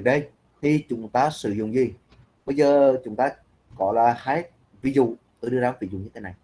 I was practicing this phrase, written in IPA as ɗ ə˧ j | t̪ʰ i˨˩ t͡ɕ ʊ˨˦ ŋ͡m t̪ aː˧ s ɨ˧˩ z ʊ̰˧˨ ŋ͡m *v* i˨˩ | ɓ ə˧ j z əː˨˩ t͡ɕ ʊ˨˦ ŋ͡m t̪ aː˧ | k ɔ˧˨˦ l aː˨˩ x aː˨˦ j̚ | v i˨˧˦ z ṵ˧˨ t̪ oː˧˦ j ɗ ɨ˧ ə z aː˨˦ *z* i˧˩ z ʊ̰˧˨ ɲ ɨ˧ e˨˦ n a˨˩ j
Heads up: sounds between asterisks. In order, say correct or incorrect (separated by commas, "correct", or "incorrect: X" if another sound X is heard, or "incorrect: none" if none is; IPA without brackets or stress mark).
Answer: incorrect: z, incorrect: v